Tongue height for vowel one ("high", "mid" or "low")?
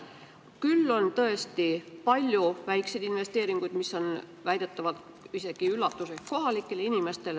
high